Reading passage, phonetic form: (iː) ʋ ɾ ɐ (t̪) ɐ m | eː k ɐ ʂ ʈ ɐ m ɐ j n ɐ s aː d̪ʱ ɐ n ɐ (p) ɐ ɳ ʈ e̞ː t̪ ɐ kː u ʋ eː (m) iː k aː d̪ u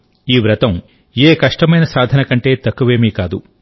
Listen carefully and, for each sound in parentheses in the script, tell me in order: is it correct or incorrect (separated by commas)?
correct, correct, incorrect, correct